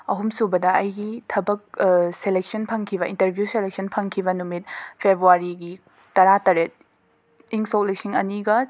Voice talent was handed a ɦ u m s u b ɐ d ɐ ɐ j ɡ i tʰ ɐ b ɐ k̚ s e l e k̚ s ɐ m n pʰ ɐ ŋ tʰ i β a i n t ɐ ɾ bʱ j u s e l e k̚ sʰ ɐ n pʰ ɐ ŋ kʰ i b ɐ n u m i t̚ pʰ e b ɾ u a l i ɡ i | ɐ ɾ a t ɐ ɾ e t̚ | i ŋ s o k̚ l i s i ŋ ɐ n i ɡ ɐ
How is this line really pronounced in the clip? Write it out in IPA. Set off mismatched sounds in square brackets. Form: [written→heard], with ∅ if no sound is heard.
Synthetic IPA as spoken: [a→ɐ] ɦ u m s u b ɐ d ɐ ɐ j ɡ i tʰ ɐ b ɐ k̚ s e l e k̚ s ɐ [m→∅] n pʰ ɐ ŋ [tʰ→kʰ] i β [a→ɐ] i n t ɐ ɾ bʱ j u s e l e k̚ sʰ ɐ n pʰ ɐ ŋ kʰ i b ɐ n u m i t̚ pʰ e b ɾ u a [l→ɾ] i ɡ i | ɐ ɾ a t ɐ ɾ e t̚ | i ŋ s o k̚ l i s i ŋ ɐ n i ɡ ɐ